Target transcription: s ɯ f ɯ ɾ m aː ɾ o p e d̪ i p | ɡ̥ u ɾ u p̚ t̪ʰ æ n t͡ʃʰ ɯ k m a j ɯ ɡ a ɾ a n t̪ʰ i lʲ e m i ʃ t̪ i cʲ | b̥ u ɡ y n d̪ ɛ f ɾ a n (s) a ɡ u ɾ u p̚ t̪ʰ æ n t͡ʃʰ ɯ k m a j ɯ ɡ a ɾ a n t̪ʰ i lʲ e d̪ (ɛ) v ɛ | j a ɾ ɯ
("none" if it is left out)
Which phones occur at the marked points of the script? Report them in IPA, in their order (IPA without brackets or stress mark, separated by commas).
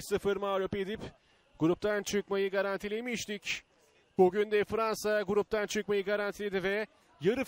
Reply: s, i